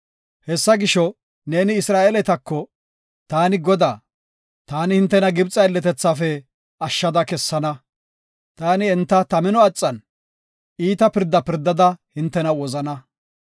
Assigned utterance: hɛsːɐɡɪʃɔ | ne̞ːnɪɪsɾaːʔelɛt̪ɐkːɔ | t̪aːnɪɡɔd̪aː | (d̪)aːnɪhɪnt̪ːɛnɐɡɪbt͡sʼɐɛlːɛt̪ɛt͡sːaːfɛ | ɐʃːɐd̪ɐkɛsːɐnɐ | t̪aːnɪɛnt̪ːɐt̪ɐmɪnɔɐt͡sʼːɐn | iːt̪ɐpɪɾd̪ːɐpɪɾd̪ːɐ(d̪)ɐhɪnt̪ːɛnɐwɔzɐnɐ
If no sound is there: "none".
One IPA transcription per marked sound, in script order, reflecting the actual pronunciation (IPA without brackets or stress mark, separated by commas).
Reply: t̪, d̪